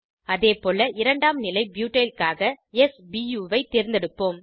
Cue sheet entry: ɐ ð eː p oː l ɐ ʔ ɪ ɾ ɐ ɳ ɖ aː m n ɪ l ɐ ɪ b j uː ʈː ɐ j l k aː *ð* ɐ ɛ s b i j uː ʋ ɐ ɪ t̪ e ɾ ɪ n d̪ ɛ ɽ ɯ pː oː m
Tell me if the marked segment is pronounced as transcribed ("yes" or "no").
no